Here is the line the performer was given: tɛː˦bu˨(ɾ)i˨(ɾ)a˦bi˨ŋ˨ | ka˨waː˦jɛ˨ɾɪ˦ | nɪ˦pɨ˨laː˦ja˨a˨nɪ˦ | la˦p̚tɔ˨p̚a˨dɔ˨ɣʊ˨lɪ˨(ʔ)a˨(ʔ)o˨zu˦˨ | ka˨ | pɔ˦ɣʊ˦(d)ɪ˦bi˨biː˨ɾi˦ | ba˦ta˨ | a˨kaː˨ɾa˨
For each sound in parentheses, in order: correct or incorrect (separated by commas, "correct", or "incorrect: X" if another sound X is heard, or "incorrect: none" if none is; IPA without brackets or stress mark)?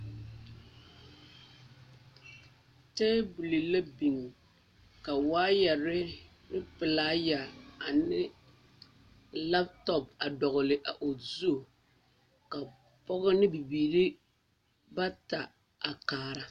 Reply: incorrect: l, incorrect: l, correct, correct, incorrect: n